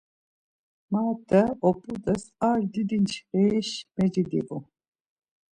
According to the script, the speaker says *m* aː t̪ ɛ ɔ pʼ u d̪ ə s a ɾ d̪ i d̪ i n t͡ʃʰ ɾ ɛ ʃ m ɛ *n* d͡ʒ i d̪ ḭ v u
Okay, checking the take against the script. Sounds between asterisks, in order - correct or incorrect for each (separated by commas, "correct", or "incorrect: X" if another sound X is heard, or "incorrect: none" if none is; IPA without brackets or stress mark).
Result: correct, incorrect: none